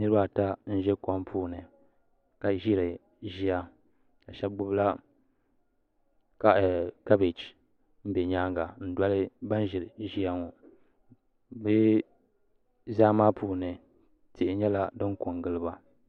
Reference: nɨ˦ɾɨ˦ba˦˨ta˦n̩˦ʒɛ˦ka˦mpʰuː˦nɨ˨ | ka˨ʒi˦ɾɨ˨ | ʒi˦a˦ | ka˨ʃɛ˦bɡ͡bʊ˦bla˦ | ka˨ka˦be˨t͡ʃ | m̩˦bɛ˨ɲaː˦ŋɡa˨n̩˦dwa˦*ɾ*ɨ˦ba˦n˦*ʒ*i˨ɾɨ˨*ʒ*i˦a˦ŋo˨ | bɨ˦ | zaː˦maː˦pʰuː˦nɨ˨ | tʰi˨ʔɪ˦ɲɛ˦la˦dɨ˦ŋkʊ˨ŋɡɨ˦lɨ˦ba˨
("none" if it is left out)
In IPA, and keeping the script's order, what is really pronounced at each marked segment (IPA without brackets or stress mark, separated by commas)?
l, ʒ, ʒ